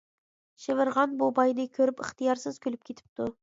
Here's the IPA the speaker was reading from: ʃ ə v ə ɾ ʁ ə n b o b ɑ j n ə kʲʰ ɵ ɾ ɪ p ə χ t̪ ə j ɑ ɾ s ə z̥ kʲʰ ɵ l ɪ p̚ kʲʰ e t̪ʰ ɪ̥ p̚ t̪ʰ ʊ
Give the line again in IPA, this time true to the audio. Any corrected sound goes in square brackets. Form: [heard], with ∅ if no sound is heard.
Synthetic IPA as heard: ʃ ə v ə ɾ ʁ [ɑ] n b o b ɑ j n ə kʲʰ ɵ ɾ ɪ p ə χ t̪ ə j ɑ ɾ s ə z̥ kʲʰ ɵ l ɪ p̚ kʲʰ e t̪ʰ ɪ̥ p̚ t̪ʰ ʊ